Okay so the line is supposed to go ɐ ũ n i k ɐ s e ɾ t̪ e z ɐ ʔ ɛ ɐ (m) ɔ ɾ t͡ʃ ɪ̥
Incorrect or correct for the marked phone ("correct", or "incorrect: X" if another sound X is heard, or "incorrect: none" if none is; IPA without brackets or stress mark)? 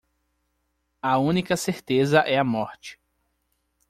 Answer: correct